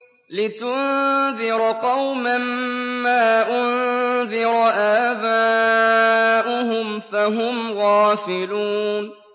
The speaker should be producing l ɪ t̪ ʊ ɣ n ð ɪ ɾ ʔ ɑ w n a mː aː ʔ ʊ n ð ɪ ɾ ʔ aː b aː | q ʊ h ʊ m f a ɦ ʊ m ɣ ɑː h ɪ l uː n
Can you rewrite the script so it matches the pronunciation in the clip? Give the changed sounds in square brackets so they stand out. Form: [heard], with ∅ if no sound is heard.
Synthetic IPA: l ɪ t̪ ʊ [∅] n ð ɪ ɾ [q] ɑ w [m] a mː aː ʔ ʊ n ð ɪ ɾ ʔ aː b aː | [ʔ] ʊ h ʊ m f a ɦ ʊ m ɣ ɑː [f] ɪ l uː n